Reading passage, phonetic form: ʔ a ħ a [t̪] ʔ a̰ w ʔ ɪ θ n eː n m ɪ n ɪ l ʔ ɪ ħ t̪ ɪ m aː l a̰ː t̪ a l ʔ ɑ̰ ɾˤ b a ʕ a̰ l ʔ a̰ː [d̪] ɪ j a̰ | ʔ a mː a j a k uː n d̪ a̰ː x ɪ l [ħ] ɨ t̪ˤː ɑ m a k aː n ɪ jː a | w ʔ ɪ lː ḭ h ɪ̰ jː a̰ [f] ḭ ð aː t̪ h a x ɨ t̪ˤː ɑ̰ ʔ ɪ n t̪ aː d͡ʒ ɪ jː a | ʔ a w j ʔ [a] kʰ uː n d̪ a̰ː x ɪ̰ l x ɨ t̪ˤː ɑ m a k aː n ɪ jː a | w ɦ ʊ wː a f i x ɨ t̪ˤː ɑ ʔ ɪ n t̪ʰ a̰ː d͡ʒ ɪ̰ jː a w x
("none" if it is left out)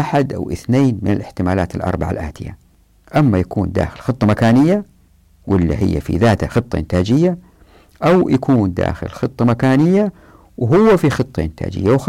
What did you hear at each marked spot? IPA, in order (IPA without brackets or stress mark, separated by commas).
d̪, t̪, x, f, a